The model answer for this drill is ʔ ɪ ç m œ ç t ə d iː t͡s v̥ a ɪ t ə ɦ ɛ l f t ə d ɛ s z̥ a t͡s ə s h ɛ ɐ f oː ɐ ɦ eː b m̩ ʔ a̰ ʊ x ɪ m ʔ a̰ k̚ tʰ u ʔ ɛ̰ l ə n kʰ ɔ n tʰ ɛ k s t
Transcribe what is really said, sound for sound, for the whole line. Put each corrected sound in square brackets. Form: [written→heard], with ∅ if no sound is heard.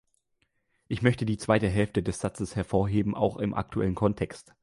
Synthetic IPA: ʔ ɪ ç m œ ç t ə d iː t͡s v̥ a ɪ t ə ɦ ɛ l f t ə d ɛ s z̥ a t͡s ə s h ɛ ɐ f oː ɐ ɦ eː b m̩ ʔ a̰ ʊ x ɪ m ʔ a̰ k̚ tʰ u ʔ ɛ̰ l ə n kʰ ɔ n tʰ ɛ k s t